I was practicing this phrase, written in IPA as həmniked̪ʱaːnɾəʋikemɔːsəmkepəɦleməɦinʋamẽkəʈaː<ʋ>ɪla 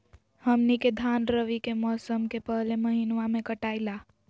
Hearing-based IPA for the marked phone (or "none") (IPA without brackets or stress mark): none